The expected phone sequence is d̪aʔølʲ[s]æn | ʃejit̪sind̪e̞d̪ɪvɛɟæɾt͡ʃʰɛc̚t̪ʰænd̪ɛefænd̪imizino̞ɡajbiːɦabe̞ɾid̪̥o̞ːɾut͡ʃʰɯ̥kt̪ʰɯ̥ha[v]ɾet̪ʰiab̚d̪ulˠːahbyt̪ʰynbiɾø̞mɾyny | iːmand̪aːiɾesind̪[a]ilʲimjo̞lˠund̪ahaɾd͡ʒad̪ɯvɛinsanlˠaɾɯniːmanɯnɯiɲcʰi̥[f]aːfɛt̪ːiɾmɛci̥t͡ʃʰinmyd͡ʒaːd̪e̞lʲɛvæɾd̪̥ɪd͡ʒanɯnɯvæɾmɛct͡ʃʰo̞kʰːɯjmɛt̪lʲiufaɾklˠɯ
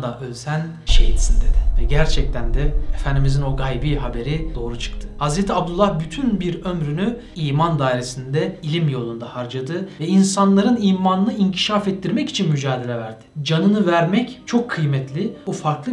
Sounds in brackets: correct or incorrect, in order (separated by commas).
correct, incorrect, incorrect, incorrect